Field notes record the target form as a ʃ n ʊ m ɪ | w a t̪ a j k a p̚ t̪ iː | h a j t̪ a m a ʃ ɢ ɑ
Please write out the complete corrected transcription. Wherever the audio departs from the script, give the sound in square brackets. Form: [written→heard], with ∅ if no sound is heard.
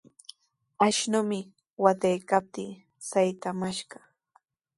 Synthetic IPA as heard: a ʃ n ʊ m ɪ | w a t̪ a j k a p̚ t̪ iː | [h→s] a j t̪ a m a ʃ ɢ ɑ

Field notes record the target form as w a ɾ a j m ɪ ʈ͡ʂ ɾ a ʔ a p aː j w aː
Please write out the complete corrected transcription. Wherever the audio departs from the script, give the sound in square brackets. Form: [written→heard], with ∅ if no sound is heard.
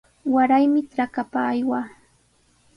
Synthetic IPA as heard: w a ɾ a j m ɪ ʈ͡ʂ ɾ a [ʔ→k] a p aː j w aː

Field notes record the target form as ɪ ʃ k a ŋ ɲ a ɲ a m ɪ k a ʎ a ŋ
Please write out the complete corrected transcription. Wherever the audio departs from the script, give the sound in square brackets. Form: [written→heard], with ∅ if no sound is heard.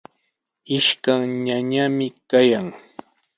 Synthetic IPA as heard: ɪ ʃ k a ŋ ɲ a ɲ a m ɪ k a [ʎ→j] a ŋ

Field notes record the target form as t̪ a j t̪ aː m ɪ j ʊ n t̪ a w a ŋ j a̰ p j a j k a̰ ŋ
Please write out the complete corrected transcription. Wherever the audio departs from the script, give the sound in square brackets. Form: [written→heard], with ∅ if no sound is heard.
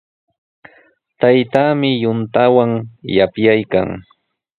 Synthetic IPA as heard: t̪ a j t̪ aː m ɪ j ʊ n t̪ a w a ŋ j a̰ p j a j k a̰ ŋ

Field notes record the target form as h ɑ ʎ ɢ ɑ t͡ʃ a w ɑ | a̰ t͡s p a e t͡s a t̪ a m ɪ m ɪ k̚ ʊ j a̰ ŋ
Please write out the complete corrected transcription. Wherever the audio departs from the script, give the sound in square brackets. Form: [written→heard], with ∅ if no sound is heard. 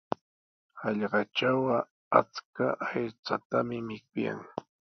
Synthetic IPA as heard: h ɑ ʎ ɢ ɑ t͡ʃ a w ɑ | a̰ t͡s [p→k] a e t͡s a t̪ a m ɪ m ɪ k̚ ʊ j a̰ ŋ

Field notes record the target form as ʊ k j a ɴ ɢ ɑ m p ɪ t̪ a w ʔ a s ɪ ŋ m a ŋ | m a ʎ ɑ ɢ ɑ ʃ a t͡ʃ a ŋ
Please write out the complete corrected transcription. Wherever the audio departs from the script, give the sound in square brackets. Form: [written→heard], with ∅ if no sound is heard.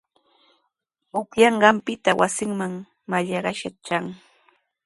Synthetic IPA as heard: ʊ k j [a→ɑ] ɴ ɢ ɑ m p ɪ t̪ a w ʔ a s ɪ ŋ m a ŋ | m a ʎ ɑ ɢ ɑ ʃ a t͡ʃ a ŋ

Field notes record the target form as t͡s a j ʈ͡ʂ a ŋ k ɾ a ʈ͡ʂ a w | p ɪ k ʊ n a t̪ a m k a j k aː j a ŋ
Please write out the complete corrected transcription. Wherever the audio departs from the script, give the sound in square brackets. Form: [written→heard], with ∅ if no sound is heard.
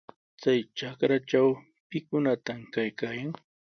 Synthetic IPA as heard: t͡s a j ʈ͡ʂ a [ŋ→∅] k ɾ a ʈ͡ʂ a w | p ɪ k ʊ n a t̪ a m k a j k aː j a ŋ

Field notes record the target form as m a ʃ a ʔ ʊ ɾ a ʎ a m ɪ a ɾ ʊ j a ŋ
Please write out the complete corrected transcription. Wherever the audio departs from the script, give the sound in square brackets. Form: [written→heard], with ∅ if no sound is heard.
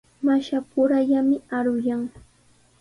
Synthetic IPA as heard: m a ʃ a [ʔ→p] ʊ ɾ a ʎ a m ɪ a ɾ ʊ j a ŋ

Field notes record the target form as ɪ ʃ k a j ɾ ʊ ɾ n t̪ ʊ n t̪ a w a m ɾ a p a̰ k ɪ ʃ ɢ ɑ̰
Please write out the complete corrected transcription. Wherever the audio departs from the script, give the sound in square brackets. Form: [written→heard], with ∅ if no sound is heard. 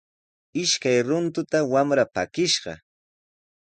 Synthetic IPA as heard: ɪ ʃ k a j ɾ ʊ [ɾ→∅] n t̪ ʊ [n→∅] t̪ a w a m ɾ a p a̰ k ɪ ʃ ɢ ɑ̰

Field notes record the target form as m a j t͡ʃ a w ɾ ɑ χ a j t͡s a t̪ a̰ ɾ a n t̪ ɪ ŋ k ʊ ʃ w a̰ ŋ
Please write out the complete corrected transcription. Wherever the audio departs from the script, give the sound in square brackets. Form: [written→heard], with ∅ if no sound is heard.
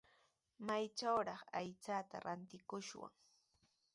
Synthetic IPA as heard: m a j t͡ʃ a w ɾ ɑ χ a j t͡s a t̪ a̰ ɾ a n t̪ ɪ [ŋ→∅] k ʊ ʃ w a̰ ŋ

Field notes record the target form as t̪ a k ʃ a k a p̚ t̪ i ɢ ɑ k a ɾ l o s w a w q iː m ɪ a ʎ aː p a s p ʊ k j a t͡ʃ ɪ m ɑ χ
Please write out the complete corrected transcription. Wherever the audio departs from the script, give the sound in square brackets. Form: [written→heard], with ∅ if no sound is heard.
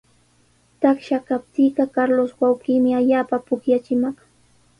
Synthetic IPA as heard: t̪ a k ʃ a k a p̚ t̪ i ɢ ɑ k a ɾ l o s w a w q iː m ɪ a ʎ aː p a [s→∅] p ʊ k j a t͡ʃ ɪ m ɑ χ

